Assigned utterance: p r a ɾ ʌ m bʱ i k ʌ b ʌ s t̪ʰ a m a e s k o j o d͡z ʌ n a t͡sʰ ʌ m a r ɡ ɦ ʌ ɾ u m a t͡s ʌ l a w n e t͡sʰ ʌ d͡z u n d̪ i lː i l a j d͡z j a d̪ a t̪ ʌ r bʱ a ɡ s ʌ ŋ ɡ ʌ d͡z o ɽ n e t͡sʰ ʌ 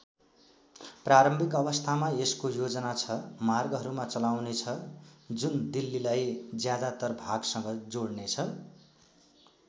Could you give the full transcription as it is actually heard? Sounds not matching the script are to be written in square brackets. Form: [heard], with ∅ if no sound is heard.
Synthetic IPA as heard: p r a ɾ ʌ m bʱ i k ʌ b ʌ s t̪ʰ a m a e s k o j o d͡z ʌ n a t͡sʰ ʌ m a r ɡ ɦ ʌ ɾ u m a t͡s ʌ l a w n e t͡sʰ ʌ d͡z u n d̪ i lː i l a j d͡z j a d̪ a t̪ ʌ r bʱ a ɡ s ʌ ŋ ɡ ʌ d͡z o ɽ n e t͡sʰ ʌ